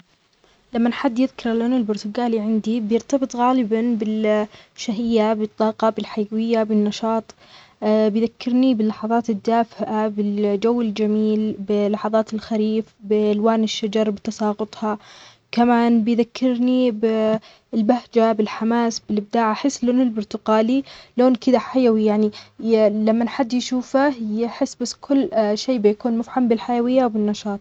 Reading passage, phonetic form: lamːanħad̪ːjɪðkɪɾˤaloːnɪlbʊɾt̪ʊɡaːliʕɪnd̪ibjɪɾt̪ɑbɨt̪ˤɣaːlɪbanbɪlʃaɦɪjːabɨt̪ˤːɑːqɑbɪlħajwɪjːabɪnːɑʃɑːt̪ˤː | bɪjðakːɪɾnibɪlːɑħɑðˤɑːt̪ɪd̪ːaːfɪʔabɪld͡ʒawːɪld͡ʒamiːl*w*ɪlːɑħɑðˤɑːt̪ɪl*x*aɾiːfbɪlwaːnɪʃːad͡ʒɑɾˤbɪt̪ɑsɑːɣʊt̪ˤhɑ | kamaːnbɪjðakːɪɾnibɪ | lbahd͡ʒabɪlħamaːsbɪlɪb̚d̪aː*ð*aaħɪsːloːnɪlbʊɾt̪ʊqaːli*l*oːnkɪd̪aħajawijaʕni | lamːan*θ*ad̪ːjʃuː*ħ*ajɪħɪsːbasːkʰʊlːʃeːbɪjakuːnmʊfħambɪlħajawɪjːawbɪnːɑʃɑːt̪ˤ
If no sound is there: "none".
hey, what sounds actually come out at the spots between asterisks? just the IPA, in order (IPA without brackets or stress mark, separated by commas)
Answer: b, x, ʕ, l, ħ, f